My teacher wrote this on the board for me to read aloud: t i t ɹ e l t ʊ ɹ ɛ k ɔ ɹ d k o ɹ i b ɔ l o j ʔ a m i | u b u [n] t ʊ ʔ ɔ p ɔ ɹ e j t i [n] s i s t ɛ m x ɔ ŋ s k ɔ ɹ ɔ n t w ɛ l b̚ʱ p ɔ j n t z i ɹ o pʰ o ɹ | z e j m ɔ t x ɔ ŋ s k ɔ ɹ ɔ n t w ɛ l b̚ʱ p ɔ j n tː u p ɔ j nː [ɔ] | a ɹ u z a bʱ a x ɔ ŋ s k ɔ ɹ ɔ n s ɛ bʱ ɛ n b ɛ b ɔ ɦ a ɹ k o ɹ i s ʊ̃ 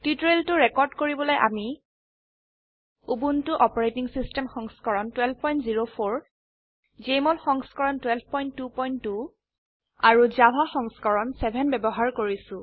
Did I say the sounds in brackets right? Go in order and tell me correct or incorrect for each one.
correct, incorrect: ŋ, incorrect: u

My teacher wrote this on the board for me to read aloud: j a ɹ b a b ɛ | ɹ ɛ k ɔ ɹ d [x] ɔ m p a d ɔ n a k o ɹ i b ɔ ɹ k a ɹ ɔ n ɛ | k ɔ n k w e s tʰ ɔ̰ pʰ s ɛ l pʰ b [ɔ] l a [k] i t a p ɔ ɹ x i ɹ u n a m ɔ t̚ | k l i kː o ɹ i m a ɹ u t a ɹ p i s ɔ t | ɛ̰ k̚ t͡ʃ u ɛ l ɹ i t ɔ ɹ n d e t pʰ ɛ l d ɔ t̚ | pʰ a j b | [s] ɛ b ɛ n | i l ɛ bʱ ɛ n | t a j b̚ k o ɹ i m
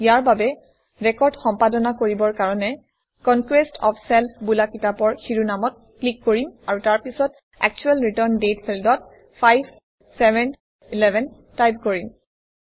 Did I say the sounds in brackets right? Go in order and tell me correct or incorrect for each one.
correct, incorrect: u, correct, correct

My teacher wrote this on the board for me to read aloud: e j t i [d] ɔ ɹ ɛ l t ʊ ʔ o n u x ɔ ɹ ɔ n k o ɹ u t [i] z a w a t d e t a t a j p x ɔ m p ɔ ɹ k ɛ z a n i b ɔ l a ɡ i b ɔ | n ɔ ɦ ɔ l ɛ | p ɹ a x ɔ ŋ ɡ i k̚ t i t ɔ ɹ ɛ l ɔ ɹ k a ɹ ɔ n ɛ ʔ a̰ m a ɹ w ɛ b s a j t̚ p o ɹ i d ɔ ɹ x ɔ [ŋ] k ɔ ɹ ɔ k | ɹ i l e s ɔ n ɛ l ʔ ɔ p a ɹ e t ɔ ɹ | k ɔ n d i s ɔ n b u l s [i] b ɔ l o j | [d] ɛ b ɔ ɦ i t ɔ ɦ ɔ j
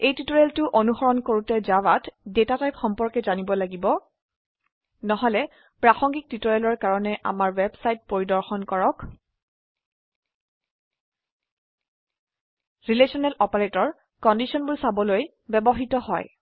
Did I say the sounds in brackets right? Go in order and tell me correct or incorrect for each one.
incorrect: t, incorrect: ɛ, incorrect: n, incorrect: a, incorrect: b

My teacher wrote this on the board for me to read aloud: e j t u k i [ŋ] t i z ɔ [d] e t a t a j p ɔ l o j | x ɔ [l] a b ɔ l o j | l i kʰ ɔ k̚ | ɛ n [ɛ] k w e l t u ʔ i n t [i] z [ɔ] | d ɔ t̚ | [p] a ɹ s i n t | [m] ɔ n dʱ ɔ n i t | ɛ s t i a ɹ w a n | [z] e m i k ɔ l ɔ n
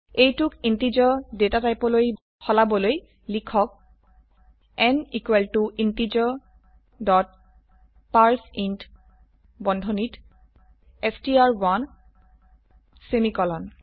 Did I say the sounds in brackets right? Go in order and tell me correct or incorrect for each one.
incorrect: n, correct, correct, incorrect: i, correct, correct, correct, incorrect: b, incorrect: s

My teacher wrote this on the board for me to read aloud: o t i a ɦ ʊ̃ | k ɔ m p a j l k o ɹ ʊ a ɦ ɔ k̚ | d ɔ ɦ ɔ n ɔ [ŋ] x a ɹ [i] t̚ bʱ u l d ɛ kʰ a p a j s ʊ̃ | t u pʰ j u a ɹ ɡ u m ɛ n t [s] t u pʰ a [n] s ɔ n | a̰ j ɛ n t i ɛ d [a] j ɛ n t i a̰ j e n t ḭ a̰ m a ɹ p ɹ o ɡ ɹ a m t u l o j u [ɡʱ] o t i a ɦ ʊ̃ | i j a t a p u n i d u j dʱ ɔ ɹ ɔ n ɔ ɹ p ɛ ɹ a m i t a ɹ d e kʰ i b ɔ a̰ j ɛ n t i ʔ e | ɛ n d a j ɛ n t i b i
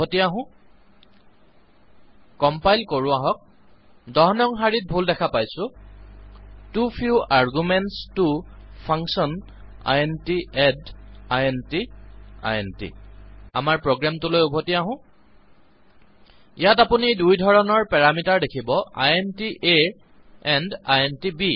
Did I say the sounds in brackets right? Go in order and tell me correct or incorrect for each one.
correct, correct, correct, incorrect: ŋ, correct, incorrect: bʱ

